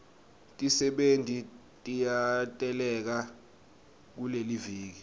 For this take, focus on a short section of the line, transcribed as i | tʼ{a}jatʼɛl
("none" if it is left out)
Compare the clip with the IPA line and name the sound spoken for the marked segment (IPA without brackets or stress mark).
i